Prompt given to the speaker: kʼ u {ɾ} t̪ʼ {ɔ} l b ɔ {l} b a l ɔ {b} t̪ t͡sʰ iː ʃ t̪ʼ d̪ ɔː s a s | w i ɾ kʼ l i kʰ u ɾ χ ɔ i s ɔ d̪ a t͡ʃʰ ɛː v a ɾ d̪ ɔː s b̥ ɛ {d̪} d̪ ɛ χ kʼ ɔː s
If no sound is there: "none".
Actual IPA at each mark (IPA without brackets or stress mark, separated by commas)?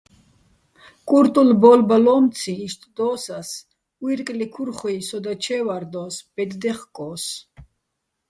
ɾ, u, l, m, d̪